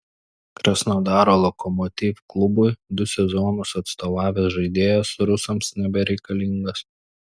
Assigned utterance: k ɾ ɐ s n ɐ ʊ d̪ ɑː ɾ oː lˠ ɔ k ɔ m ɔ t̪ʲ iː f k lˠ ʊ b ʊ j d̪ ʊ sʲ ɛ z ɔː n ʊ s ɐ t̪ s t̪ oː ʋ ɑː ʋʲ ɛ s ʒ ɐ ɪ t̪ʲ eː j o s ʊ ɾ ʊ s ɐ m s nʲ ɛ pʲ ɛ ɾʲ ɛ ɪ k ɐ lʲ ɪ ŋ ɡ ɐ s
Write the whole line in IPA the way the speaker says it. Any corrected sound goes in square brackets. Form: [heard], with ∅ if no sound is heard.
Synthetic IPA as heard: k ɾ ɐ s n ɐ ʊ d̪ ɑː ɾ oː lˠ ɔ k ɔ m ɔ t̪ʲ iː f k lˠ ʊ b ʊ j d̪ ʊ sʲ ɛ z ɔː n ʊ s ɐ t̪ s t̪ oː ʋ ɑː ʋʲ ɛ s ʒ ɐ ɪ [d̪ʲ] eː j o s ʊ ɾ ʊ s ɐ m s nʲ ɛ [bʲ] ɛ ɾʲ ɛ ɪ k ɐ lʲ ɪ ŋ ɡ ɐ s